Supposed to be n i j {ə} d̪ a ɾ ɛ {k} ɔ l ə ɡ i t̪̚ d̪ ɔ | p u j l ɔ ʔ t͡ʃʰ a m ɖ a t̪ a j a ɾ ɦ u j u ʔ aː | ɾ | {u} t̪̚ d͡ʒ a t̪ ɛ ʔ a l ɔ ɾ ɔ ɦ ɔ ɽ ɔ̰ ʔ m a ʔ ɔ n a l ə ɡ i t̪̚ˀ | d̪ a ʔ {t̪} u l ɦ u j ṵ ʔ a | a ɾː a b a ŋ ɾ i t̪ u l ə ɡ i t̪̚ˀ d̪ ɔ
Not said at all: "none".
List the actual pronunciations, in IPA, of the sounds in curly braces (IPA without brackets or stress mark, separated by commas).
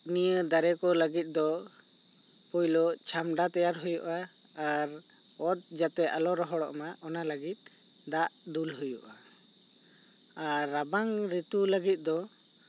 ə, k, ɔ, d̪